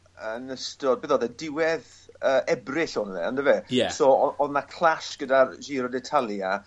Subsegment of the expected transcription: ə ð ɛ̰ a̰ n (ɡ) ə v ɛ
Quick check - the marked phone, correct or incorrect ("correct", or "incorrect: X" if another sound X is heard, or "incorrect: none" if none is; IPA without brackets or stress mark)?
incorrect: d